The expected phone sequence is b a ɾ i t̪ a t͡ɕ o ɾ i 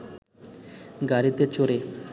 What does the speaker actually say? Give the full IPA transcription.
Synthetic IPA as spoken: ɡ a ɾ i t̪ e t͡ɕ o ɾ e